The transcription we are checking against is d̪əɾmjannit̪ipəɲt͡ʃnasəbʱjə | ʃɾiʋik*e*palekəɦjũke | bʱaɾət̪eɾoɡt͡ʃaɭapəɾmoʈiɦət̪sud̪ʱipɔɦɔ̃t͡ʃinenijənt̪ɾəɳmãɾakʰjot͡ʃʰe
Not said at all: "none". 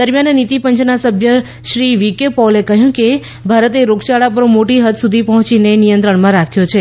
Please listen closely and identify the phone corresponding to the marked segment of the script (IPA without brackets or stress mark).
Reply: e